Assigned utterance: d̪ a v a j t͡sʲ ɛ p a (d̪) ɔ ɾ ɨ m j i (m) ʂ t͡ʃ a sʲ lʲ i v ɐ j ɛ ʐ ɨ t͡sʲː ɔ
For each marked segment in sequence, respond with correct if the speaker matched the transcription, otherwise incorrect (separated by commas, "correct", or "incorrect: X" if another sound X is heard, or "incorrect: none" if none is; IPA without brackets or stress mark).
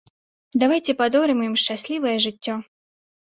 correct, correct